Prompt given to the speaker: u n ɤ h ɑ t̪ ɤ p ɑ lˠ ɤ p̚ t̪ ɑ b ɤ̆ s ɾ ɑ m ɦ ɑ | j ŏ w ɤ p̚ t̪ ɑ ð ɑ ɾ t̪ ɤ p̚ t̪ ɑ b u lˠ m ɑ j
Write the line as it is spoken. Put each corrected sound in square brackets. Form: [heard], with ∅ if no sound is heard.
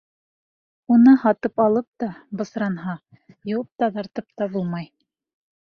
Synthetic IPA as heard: u n ɤ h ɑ t̪ ɤ p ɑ lˠ ɤ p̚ t̪ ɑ b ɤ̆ s ɾ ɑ [n] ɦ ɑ | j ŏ w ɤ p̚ t̪ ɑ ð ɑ ɾ t̪ ɤ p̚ t̪ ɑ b u lˠ m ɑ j

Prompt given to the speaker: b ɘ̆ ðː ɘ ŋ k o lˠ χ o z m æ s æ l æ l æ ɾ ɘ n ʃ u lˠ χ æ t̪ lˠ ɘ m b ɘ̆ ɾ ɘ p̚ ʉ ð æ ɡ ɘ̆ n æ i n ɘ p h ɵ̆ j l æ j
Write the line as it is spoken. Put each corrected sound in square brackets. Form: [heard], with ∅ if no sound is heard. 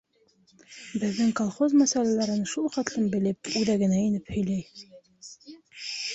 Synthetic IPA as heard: b ɘ̆ ðː ɘ ŋ k o lˠ χ o z m æ s æ l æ l æ ɾ ɘ n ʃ u lˠ χ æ t̪ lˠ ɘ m b ɘ̆ [l] ɘ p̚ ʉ ð æ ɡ ɘ̆ n æ i n ɘ p h ɵ̆ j l æ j

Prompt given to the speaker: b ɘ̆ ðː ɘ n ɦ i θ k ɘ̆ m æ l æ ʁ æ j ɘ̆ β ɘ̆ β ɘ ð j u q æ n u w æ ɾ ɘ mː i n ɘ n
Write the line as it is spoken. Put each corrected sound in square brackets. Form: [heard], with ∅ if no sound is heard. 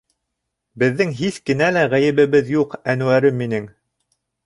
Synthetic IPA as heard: b ɘ̆ ðː ɘ [ŋ] ɦ i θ k ɘ̆ [n] æ l æ ʁ æ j ɘ̆ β ɘ̆ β ɘ ð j u q æ n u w æ ɾ ɘ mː i n ɘ [ŋ]

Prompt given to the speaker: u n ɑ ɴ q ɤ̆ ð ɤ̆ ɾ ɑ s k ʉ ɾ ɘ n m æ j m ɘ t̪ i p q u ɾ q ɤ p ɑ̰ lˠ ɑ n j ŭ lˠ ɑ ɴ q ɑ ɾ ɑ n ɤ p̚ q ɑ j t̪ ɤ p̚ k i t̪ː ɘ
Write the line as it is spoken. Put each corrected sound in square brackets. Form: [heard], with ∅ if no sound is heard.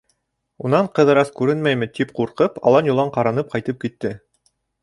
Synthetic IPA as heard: u n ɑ ɴ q ɤ̆ ð ɤ̆ ɾ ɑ s k ʉ ɾ ɘ n m æ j m ɘ t̪ i p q u ɾ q ɤ p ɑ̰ lˠ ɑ n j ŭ lˠ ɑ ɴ q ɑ ɾ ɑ n ɤ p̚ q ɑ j t̪ ɤ p̚ k i t̪ː ɘ

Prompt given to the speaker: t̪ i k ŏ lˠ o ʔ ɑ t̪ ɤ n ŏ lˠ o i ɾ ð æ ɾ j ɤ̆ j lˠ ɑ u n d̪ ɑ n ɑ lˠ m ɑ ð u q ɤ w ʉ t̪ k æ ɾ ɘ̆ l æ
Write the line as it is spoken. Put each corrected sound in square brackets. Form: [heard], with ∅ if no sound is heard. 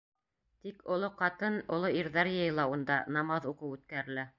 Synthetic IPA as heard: t̪ i k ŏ lˠ o [q] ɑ t̪ ɤ n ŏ lˠ o i ɾ ð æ ɾ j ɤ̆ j lˠ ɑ u n d̪ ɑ n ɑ [∅] m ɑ ð u q ɤ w ʉ t̪ k æ ɾ ɘ̆ l æ

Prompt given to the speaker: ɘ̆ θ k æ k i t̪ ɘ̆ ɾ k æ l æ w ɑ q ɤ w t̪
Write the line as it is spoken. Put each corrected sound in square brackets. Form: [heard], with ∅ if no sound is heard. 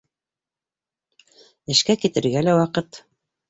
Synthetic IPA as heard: ɘ̆ [ʃ] k æ k i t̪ ɘ̆ ɾ [ɡ] æ l æ w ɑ q ɤ [∅] t̪

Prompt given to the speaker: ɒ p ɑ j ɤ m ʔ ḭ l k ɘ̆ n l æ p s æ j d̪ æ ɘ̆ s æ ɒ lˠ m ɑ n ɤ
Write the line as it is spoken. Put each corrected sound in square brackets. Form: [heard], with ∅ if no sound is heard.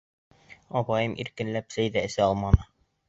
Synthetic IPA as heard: ɒ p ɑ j ɤ m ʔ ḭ [ɾ] k ɘ̆ n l æ p s æ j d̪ æ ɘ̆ s æ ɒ lˠ m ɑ n ɤ

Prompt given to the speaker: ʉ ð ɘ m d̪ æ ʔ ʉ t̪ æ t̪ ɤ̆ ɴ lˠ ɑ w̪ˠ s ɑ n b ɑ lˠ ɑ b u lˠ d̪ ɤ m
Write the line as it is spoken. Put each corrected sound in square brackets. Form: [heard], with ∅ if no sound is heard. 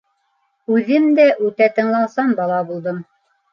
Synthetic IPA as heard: ʉ ð ɘ m d̪ æ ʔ ʉ t̪ æ t̪ ɤ̆ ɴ lˠ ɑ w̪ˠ s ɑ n b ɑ lˠ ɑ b u lˠ d̪ ɤ m

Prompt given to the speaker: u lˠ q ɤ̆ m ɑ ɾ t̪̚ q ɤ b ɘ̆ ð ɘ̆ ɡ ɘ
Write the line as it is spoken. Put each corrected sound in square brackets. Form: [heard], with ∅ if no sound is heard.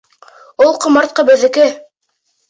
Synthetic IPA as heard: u lˠ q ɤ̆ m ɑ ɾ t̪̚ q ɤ b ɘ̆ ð ɘ̆ [k] ɘ

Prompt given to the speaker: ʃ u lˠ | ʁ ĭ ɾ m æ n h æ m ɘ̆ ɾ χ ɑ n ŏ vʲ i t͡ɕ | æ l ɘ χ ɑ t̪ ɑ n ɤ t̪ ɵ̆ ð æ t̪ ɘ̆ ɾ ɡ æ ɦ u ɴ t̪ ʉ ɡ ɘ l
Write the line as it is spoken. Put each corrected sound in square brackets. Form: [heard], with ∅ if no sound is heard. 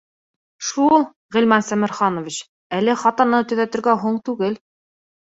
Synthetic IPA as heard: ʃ u lˠ | ʁ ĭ [l] m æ n [s] æ m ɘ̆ ɾ χ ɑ n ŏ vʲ i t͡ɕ | æ l ɘ χ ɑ t̪ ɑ n ɤ t̪ ɵ̆ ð æ t̪ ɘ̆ ɾ ɡ æ ɦ u ɴ t̪ ʉ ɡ ɘ l

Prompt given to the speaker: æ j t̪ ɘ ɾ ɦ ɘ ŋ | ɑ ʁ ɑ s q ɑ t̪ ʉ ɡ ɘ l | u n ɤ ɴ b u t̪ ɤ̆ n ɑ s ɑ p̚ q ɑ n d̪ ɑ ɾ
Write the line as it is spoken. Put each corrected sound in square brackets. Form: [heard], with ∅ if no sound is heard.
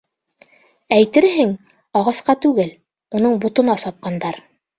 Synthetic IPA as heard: æ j t̪ ɘ ɾ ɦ ɘ ŋ | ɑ ʁ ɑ s q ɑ t̪ ʉ ɡ ɘ l | u n ɤ ɴ b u t̪ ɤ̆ n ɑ s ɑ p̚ q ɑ n d̪ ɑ ɾ

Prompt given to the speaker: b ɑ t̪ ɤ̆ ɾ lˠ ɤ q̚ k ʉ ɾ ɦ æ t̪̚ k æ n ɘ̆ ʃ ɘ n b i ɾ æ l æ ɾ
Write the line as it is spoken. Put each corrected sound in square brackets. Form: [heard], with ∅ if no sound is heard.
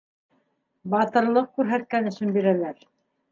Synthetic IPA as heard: b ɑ t̪ ɤ̆ ɾ lˠ ɤ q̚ k ʉ ɾ ɦ æ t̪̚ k æ n ɘ̆ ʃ ɘ n b i ɾ æ l æ ɾ

